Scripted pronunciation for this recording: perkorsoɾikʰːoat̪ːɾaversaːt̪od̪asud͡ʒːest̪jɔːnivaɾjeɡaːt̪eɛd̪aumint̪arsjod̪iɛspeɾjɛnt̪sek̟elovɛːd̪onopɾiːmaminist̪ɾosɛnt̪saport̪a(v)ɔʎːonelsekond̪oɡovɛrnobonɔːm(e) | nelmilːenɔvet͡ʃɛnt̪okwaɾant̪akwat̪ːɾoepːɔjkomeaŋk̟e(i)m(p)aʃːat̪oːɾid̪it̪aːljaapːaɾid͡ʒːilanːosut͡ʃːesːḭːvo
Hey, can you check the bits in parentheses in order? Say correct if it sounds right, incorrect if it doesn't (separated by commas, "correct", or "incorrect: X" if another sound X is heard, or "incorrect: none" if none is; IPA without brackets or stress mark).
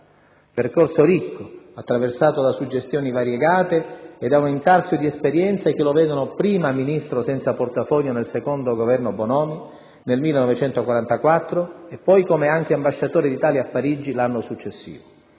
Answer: incorrect: f, incorrect: i, incorrect: a, incorrect: b